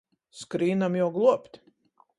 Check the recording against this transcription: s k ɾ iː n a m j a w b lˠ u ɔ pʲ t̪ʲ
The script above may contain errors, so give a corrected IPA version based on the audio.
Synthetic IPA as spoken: s k ɾ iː n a m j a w ɡ lˠ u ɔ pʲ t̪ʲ